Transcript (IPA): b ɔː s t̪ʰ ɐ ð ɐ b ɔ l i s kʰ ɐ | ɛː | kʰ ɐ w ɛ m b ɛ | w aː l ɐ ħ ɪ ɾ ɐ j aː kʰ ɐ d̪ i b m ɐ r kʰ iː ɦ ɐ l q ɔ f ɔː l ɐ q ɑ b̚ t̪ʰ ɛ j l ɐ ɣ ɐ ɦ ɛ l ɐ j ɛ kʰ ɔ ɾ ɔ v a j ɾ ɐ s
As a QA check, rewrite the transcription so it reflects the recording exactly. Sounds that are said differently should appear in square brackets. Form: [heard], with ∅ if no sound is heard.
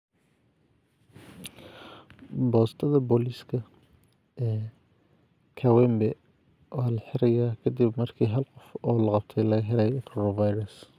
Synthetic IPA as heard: b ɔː s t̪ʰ ɐ ð ɐ b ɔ l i s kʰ ɐ | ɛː | kʰ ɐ w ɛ m b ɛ | w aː l ɐ ħ ɪ ɾ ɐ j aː kʰ ɐ d̪ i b m ɐ r kʰ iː ɦ ɐ l q ɔ f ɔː l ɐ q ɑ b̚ t̪ʰ ɛ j l ɐ ɣ ɐ ɦ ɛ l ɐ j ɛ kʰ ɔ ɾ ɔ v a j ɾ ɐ s